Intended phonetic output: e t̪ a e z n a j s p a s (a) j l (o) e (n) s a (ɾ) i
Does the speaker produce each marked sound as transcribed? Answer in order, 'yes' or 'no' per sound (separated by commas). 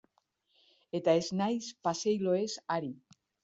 no, yes, no, yes